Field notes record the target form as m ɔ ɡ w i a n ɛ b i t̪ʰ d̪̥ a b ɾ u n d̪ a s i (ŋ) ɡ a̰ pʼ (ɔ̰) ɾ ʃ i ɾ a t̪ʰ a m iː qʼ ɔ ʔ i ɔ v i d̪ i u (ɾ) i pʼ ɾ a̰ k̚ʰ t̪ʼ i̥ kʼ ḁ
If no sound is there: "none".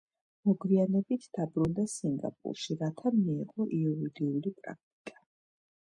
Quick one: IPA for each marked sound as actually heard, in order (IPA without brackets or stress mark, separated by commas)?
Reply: ŋ, ṵ, l